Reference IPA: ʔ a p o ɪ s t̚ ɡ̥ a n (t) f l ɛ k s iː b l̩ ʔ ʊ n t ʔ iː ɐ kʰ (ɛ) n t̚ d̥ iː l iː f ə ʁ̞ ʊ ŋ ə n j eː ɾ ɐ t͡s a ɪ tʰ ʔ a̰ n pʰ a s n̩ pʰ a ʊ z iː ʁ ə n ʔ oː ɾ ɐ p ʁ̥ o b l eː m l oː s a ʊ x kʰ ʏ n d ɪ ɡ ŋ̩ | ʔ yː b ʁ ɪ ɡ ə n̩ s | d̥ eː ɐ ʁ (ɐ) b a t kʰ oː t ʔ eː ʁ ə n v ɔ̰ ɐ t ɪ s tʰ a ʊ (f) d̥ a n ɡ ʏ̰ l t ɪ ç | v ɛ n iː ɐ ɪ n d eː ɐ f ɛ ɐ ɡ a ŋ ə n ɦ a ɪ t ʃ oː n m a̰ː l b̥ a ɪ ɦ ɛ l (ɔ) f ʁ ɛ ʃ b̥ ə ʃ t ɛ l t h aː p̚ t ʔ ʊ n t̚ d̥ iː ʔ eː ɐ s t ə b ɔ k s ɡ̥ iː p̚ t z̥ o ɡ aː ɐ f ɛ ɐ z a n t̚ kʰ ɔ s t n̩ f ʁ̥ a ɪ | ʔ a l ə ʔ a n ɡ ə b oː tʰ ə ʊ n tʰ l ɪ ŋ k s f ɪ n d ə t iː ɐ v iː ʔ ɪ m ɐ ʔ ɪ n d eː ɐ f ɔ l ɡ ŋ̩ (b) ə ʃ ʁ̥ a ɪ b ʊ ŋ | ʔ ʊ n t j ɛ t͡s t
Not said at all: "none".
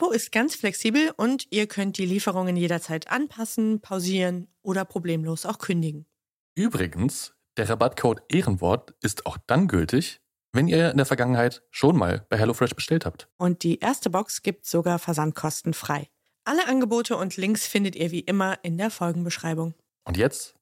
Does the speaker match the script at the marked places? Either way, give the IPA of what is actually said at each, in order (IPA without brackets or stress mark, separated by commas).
t͡s, œ, a, x, o, b